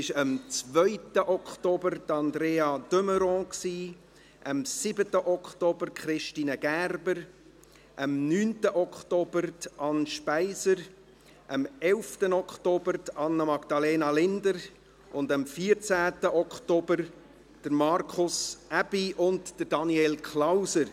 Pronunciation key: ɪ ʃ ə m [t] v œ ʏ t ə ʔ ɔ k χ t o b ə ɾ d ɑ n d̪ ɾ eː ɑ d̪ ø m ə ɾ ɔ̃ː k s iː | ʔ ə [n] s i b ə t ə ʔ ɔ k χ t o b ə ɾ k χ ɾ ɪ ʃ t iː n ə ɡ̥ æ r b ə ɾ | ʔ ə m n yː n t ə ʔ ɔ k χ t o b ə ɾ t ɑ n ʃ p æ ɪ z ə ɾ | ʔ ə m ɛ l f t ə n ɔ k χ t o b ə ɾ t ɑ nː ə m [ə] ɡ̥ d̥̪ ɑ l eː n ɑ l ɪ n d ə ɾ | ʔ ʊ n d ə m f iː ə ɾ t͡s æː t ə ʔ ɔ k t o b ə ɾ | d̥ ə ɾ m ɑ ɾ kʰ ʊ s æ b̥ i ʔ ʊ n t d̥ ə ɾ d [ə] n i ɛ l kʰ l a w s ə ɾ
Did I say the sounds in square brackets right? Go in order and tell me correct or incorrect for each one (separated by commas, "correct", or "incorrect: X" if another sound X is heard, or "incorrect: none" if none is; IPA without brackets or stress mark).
incorrect: t͡s, incorrect: m, incorrect: ɑ, incorrect: ɑ